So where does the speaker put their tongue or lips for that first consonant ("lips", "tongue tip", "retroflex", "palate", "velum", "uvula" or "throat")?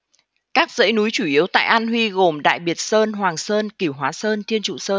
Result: velum